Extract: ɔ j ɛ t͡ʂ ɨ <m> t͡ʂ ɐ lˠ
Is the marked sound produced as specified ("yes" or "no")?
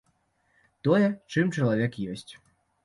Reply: yes